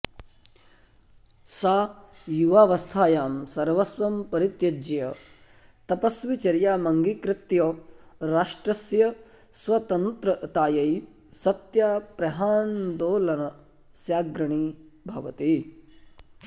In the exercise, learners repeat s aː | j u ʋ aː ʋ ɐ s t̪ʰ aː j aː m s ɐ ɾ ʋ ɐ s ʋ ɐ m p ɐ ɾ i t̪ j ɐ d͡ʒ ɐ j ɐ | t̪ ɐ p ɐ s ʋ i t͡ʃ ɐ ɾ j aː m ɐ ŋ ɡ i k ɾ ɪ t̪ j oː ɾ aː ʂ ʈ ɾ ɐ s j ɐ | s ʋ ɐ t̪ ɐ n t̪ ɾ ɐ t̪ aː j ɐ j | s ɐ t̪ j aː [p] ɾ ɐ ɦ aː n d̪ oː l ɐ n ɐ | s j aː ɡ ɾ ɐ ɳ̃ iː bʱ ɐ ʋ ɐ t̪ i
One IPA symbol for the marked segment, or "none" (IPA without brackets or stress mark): p